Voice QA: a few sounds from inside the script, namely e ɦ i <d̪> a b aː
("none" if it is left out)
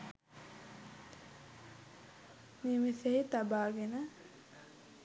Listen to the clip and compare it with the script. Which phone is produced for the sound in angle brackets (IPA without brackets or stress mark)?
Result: t̪